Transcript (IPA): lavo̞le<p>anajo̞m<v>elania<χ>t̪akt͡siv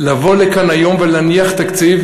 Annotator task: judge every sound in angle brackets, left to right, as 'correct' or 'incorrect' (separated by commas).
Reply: incorrect, correct, correct